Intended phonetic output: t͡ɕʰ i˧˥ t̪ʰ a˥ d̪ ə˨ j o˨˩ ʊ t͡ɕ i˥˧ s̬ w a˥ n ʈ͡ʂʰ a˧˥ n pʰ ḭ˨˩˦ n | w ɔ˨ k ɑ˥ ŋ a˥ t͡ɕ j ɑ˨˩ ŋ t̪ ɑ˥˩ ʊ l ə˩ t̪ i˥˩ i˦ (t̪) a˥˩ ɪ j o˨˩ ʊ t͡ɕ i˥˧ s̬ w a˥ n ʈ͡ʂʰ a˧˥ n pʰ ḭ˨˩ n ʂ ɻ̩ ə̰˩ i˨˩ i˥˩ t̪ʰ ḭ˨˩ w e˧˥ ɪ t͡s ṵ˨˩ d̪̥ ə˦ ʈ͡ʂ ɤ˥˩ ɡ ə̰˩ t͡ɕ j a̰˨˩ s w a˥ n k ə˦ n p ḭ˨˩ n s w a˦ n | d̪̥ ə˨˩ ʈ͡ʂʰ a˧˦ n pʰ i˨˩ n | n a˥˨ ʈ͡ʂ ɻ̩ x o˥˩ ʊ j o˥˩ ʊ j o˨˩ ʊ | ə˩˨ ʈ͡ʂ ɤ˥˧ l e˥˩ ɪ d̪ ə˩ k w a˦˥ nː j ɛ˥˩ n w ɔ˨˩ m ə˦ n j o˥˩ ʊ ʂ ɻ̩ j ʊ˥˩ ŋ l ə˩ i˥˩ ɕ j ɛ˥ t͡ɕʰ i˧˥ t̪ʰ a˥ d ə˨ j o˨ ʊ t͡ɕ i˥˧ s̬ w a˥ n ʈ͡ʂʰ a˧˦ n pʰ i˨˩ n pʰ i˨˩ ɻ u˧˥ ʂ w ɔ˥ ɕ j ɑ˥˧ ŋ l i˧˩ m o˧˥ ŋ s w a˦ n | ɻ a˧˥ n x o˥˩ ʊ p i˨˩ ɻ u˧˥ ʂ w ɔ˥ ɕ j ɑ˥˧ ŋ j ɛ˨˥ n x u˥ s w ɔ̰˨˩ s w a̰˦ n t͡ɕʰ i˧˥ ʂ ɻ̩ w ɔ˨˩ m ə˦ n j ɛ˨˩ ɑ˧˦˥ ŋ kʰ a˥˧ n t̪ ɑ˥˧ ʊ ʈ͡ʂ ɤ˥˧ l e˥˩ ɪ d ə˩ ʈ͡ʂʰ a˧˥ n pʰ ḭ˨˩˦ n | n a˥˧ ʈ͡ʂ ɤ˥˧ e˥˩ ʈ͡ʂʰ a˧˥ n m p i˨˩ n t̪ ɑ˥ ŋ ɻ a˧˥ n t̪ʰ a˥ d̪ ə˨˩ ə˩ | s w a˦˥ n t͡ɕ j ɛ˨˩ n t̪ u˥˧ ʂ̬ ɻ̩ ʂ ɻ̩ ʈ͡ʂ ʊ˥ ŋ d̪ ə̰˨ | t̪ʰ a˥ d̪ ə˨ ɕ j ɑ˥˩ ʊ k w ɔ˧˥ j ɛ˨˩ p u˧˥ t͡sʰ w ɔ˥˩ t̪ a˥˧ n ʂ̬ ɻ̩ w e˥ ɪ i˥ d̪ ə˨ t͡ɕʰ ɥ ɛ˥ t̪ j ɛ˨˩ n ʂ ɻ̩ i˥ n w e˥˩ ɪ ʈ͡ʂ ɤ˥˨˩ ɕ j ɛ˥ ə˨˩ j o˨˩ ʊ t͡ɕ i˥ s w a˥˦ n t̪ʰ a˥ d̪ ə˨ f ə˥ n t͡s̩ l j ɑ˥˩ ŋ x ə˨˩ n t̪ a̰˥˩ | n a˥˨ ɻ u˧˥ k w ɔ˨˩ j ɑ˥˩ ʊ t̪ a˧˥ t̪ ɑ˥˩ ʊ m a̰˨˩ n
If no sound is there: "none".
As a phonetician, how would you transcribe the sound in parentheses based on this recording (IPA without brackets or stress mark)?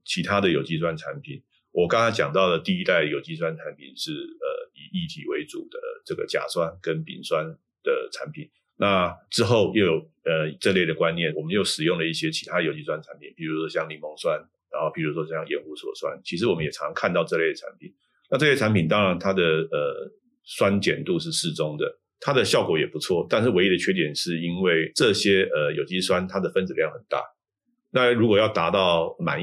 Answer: t̪